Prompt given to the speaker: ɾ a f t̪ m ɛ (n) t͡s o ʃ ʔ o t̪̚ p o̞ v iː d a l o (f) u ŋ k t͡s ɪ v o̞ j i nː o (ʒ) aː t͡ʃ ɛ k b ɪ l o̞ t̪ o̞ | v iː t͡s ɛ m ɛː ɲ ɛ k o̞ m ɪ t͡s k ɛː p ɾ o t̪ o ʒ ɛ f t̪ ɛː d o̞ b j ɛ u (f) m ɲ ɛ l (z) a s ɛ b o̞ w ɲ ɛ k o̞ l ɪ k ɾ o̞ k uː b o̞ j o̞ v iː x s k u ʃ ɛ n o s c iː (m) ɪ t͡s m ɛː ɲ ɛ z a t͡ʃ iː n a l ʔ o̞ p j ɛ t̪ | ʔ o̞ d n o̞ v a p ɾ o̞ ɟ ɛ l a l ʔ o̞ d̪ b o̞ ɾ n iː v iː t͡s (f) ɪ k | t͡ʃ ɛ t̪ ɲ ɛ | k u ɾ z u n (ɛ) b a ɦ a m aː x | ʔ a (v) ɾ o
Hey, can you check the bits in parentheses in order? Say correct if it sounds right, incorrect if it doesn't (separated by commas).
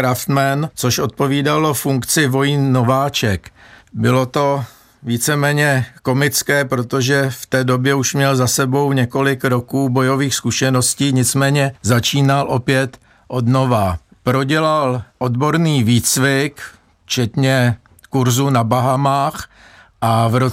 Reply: correct, correct, incorrect, incorrect, correct, incorrect, incorrect, incorrect, correct